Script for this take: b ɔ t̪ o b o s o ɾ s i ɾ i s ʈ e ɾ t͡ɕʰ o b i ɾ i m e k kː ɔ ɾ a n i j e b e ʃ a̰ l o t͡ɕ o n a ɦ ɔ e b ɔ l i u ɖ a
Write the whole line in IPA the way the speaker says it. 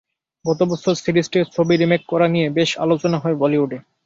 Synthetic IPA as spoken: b ɔ t̪ o b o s o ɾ s i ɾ i s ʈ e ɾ t͡ɕʰ o b i ɾ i m e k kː ɔ ɾ a n i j e b e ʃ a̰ l o t͡ɕ o n a ɦ ɔ e b ɔ l i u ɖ e